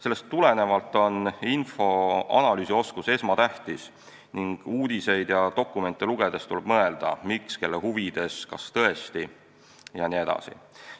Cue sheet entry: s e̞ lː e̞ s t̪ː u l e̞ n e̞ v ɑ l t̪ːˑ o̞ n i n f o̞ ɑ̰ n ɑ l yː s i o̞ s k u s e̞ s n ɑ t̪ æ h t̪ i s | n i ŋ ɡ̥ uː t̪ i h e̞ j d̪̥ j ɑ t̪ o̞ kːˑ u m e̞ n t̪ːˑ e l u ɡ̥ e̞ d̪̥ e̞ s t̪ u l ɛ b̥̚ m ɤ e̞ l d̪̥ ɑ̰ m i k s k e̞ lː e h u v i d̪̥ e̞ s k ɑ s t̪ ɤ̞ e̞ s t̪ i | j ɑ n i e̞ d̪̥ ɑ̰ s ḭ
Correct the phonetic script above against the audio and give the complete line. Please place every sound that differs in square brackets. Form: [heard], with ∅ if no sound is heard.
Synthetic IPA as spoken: s e̞ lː e̞ s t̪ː u l e̞ n e̞ v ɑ l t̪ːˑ o̞ n i n f o̞ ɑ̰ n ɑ l yː s i o̞ s k u s e̞ s [m] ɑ t̪ æ h t̪ i s | n i ŋ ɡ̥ uː [d̪] i [s] e̞ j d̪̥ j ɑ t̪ o̞ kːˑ u m e̞ n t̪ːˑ e l u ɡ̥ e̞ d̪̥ e̞ s t̪ u l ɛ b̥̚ m ɤ e̞ l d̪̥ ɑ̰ m i k s k e̞ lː e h u v i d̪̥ e̞ s k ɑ s t̪ ɤ̞ e̞ s t̪ i | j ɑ n i e̞ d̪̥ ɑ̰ s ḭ